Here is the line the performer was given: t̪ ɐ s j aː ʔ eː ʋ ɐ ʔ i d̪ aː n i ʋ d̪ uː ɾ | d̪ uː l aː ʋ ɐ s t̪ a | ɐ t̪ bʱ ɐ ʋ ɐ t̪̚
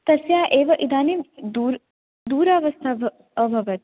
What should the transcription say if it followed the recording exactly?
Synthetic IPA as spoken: t̪ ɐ s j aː ʔ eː ʋ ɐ ʔ i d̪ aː n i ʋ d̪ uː ɾ | d̪ uː ɾ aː ʋ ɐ s t̪ʰ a | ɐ bʱ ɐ ʋ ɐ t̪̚